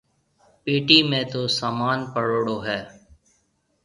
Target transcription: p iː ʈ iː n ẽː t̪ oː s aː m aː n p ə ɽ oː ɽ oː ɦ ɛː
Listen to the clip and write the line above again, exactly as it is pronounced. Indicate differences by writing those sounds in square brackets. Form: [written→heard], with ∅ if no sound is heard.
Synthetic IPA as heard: p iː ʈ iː [n→m] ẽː t̪ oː s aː m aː n p ə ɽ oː ɽ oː ɦ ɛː